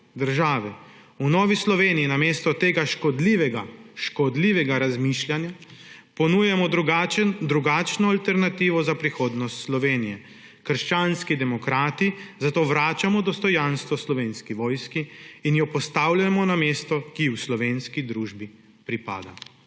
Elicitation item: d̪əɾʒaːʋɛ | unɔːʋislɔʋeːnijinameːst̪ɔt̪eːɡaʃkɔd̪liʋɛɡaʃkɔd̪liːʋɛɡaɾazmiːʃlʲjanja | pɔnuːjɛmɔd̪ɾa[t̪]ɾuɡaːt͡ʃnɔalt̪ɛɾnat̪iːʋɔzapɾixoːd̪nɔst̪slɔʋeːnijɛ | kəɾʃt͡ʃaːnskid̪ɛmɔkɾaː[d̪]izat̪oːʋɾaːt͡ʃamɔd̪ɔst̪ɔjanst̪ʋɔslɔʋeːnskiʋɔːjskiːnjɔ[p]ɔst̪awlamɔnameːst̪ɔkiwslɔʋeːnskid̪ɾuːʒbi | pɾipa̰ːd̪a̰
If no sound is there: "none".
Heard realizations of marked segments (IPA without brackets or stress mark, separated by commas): d̪, t̪, p